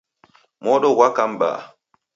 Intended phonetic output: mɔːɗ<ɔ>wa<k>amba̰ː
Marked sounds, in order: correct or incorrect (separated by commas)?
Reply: correct, correct